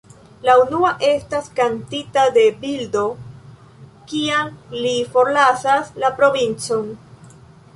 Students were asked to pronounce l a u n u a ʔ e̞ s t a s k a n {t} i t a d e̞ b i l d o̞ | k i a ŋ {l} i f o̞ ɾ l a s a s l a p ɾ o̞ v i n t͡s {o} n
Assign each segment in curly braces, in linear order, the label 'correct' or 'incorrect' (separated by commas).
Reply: correct, correct, correct